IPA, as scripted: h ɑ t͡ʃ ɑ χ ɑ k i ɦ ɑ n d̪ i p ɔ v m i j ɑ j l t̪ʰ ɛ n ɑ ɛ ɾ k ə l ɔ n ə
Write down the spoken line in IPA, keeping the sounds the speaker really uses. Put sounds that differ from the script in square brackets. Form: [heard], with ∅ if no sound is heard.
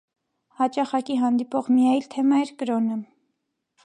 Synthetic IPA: h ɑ t͡ʃ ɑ χ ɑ k i ɦ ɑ n d̪ i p ɔ [ʁ] m i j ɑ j l t̪ʰ ɛ [m] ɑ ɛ ɾ k ə [ɾ] ɔ n ə

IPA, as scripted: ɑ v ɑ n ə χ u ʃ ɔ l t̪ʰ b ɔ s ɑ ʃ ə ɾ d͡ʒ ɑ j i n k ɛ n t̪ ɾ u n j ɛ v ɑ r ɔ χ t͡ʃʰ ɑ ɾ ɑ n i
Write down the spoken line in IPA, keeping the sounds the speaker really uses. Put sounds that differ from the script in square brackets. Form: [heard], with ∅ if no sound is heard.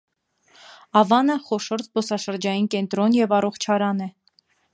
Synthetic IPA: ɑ v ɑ n ə χ [ɔ] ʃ ɔ [ɾ] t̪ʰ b ɔ s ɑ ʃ ə ɾ d͡ʒ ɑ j i n k ɛ n t̪ ɾ [ɔ] n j ɛ v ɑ r ɔ χ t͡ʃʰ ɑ ɾ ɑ n [ɛ]

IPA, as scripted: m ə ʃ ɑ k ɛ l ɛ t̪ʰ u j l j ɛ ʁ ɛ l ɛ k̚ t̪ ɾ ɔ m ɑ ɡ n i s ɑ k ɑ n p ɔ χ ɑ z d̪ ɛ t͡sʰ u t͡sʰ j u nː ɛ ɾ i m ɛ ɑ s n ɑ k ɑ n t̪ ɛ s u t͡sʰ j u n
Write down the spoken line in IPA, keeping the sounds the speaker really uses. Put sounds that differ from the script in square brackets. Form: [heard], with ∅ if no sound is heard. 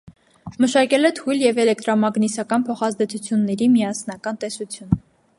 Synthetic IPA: m ə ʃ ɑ k ɛ l ɛ t̪ʰ u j l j ɛ [v] ɛ l ɛ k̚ t̪ ɾ ɔ m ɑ ɡ n i s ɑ k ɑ n [pʰ] ɔ χ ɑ z d̪ ɛ t͡sʰ u t͡sʰ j u nː ɛ ɾ i m [i] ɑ s n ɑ k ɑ n t̪ ɛ s u t͡sʰ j u n

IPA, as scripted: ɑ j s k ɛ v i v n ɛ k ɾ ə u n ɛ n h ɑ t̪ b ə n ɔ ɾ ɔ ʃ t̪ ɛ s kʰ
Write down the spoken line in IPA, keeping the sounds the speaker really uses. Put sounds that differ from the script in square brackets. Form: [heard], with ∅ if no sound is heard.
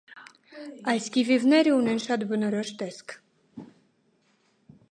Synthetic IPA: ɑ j s k [i] v i v n ɛ [∅] ɾ ə u n ɛ n [ʃ] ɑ t̪ b ə n ɔ ɾ ɔ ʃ t̪ ɛ s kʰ

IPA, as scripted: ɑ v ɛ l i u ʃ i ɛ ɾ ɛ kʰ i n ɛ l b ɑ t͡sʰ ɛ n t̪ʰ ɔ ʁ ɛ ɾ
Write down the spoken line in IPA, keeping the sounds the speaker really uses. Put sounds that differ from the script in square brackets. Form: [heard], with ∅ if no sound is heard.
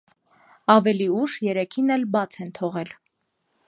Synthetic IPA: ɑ v ɛ l i u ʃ [j] ɛ ɾ ɛ kʰ i n ɛ l b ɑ t͡sʰ ɛ n t̪ʰ ɔ ʁ ɛ [l]

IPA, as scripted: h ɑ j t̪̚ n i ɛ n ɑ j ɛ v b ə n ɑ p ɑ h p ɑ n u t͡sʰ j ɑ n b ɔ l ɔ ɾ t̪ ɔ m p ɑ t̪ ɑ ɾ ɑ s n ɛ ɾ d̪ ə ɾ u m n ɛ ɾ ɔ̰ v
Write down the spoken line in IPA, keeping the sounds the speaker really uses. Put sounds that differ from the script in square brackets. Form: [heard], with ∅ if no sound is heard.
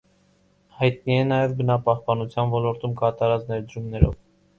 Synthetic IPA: h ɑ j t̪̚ n i ɛ n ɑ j ɛ v b ə n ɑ p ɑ h p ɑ n u t͡sʰ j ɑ n [v] ɔ l ɔ ɾ t̪ [u] m [k] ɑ t̪ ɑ ɾ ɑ [t͡s] n ɛ ɾ d̪ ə ɾ u m n ɛ ɾ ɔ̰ v

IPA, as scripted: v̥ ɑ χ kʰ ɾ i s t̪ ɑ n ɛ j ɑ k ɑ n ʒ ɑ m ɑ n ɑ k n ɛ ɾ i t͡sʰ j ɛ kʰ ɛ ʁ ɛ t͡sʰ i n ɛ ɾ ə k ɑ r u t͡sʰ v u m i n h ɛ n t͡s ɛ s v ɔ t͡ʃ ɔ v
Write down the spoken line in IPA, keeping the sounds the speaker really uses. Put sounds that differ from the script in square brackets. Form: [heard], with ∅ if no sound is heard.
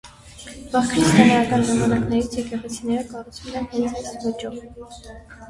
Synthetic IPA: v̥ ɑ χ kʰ ɾ i s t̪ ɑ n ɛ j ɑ k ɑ n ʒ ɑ m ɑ n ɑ k n ɛ ɾ i t͡sʰ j ɛ [k] ɛ ʁ ɛ t͡sʰ i n ɛ ɾ ə k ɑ r u t͡sʰ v u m [ɛ] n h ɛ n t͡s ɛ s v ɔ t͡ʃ ɔ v

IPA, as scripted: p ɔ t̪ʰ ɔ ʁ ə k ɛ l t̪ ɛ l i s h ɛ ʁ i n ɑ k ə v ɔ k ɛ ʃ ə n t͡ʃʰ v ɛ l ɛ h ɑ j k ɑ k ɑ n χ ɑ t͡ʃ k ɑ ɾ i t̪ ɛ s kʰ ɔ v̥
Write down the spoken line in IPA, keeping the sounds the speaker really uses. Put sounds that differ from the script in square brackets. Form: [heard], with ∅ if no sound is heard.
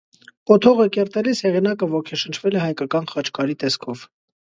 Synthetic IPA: p ɔ t̪ʰ ɔ ʁ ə k ɛ [ɾ] t̪ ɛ l i s h ɛ ʁ i n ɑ k ə v ɔ [kʰ] ɛ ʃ ə n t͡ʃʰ v ɛ l ɛ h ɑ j k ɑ k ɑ n χ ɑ t͡ʃ k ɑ ɾ i t̪ ɛ s kʰ ɔ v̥

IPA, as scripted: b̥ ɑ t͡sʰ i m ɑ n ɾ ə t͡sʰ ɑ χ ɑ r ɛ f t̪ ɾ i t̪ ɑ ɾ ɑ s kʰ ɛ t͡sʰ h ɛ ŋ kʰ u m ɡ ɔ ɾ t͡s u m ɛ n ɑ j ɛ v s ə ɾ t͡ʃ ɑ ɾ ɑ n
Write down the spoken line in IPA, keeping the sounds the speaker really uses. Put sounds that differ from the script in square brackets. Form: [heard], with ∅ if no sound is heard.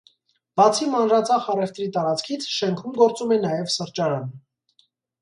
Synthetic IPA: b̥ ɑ t͡sʰ i m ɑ n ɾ [ɑ] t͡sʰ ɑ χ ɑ r ɛ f t̪ ɾ i t̪ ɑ ɾ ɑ [t͡s] kʰ [i] t͡sʰ [ʃ] ɛ ŋ kʰ u m ɡ ɔ ɾ t͡s u m ɛ n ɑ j ɛ v s ə ɾ t͡ʃ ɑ ɾ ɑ n

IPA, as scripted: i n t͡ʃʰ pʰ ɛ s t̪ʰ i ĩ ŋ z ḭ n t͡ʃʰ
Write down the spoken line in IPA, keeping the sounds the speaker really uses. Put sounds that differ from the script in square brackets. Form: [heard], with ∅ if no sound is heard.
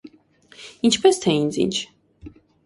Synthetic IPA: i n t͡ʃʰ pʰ ɛ s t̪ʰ [ɛ] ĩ [n] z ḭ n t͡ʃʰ

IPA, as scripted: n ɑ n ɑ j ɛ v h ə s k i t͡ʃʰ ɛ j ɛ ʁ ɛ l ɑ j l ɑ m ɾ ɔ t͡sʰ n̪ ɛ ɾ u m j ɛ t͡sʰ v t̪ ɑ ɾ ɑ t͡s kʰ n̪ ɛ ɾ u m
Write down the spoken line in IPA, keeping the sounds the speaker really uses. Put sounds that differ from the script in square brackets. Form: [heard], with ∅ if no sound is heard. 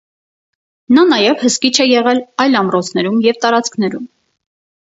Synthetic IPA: n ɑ n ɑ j ɛ v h ə s k i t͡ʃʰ ɛ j ɛ ʁ ɛ l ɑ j l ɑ m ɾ ɔ t͡sʰ n̪ ɛ ɾ u m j ɛ [∅] v t̪ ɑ ɾ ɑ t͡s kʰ n̪ ɛ ɾ u m

